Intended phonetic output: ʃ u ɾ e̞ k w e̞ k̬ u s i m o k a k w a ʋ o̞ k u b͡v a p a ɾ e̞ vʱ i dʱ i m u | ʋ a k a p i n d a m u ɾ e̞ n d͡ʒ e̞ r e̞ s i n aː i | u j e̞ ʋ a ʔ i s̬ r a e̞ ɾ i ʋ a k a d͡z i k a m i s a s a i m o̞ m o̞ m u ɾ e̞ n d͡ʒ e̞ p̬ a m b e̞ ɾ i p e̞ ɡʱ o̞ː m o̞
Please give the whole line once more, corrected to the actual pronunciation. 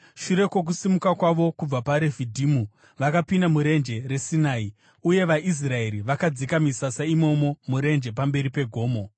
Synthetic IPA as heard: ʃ u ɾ e̞ k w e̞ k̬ u s i m u k a k w a ʋ o̞ k u b͡v a p a ɾ e̞ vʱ i dʱ i m u | ʋ a k a p i n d a m u ɾ e̞ n d͡ʒ e̞ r e̞ s i n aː i | u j e̞ ʋ a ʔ i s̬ r a e̞ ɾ i ʋ a k a d͡z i k a m i s a s a i m o̞ m o̞ m u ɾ e̞ n d͡ʒ e̞ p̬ a m b e̞ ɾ i p e̞ ɡʱ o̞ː m o̞